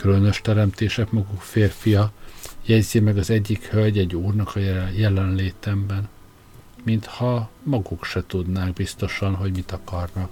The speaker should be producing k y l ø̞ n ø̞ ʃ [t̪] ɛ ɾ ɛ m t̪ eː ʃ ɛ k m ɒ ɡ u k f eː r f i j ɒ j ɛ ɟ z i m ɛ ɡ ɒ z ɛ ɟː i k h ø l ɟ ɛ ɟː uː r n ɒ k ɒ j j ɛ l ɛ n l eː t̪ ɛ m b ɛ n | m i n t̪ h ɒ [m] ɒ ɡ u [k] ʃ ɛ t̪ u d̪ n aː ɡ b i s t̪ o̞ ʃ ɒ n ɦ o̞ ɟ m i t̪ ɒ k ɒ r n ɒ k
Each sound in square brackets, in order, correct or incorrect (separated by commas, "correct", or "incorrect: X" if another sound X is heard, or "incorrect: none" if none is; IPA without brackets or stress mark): correct, correct, correct